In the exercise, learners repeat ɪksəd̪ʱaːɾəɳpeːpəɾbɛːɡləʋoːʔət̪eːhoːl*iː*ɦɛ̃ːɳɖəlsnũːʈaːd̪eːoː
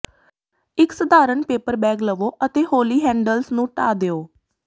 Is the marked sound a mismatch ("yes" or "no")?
no